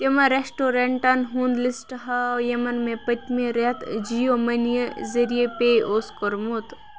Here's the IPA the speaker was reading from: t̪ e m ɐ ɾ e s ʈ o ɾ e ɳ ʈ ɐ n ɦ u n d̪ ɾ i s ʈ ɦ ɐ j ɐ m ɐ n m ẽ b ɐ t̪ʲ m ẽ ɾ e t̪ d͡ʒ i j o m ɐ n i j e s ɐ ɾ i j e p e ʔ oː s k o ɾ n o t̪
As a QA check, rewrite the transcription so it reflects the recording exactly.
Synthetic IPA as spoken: t̪ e m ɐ ɾ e s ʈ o ɾ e ɳ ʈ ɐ n ɦ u n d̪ l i s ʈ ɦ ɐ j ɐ m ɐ n m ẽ p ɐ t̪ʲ m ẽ ɾ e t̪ d͡ʒ i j o m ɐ n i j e z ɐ ɾ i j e p e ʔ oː s k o ɾ m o t̪